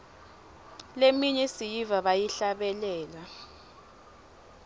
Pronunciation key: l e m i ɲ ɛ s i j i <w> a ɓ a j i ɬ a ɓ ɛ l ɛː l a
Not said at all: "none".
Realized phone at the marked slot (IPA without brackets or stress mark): v